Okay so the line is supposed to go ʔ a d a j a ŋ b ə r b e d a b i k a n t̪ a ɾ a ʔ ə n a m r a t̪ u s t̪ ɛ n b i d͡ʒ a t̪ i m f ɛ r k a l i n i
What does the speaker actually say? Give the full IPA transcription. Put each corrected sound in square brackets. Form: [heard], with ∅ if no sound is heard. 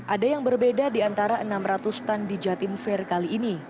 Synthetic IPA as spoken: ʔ a d a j a ŋ b ə r b e d a [d] i [∅] a n t̪ a ɾ a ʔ ə n a m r a t̪ u s t̪ [a] n [d] i d͡ʒ a t̪ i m f ɛ r k a l [iː] n i

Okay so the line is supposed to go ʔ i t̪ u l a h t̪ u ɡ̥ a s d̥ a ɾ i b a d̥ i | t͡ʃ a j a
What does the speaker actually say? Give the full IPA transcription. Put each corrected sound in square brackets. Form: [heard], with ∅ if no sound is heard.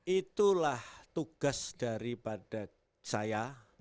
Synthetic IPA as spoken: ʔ i t̪ u l a h t̪ u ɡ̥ a s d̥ a ɾ i [p] a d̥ [a] | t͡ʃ a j a

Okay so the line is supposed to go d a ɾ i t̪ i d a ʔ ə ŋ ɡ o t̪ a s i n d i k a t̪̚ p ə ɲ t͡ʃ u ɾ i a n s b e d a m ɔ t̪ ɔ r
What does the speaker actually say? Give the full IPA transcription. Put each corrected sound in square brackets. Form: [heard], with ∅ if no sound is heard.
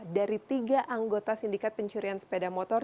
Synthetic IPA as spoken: d a ɾ i t̪ i [ɡ] a ʔ [a] ŋ ɡ o t̪ a s i n d i k a t̪̚ p ə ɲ t͡ʃ u ɾ i a n s [p] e d a m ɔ t̪ ɔ r

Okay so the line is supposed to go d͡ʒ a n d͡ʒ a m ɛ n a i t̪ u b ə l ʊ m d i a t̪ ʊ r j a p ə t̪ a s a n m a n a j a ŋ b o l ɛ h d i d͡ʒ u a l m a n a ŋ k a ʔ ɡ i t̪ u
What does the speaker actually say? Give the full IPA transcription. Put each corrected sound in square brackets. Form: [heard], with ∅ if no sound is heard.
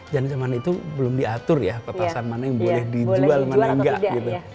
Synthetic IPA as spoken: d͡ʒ a n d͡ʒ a m [a] n a i t̪ u b ə l ʊ m d i a t̪ ʊ r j a p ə t̪ a s a n m a n a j a ŋ b o l ɛ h d i d͡ʒ u a l m a n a ŋ [ɡ] a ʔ ɡ i t̪ u

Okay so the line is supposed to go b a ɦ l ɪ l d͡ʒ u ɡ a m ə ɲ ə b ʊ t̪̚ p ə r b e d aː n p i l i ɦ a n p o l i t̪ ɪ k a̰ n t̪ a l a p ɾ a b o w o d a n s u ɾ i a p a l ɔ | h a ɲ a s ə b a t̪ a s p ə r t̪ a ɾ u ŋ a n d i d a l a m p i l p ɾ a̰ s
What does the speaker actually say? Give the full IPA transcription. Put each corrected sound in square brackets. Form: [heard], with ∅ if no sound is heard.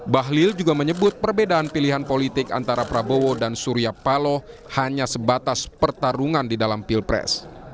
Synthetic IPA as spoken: b a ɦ l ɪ l d͡ʒ u ɡ a m ə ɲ ə b ʊ t̪̚ p ə r b e d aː n p i l i ɦ a n p o l i t̪ ɪ k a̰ n t̪ a [ɾ] a p ɾ a b o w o d a n s u ɾ i a p a l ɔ | h a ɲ a s ə b a t̪ a s p ə r t̪ a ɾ u ŋ a n d i d a l a m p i l p ɾ [ɛ̰] s

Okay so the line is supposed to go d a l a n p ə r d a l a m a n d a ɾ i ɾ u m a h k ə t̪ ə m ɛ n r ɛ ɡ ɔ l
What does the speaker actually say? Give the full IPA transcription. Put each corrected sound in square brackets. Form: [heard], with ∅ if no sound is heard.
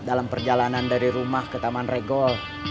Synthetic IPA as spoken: d a l a [m] p ə r [d͡ʒ] a l a [n] a n d a ɾ i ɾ u m a h k ə t̪ [a] m [a] n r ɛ ɡ ɔ l

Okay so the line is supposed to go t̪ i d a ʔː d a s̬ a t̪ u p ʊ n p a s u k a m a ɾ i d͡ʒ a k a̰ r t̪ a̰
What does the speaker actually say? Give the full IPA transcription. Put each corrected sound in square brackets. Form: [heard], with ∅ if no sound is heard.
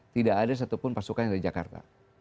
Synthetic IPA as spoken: t̪ i d a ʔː d a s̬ a t̪ u p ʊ n p a s u k a [n] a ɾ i d͡ʒ a k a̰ r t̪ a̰

